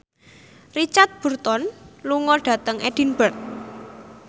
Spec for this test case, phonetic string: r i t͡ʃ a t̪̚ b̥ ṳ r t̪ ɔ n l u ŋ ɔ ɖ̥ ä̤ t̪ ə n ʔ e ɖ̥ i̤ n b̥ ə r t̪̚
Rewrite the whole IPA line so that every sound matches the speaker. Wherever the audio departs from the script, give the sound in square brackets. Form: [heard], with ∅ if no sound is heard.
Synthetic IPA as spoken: r i t͡ʃ a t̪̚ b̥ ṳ r t̪ ɔ n l u ŋ ɔ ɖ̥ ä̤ t̪ ə [ŋ] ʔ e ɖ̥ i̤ n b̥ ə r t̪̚